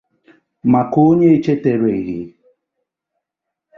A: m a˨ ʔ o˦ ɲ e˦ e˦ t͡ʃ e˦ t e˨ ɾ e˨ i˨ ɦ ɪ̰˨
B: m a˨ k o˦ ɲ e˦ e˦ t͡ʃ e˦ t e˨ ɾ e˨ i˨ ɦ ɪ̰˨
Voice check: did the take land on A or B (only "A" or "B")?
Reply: B